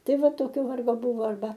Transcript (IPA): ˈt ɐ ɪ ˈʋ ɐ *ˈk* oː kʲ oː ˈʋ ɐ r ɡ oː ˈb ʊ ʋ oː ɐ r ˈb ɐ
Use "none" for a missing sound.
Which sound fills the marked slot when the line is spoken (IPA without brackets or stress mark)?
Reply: t